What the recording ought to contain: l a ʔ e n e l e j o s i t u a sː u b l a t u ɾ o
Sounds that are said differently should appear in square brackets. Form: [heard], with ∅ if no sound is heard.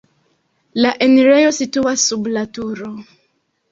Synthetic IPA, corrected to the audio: l a ʔ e n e [ɾ] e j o s i t u a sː u b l a t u ɾ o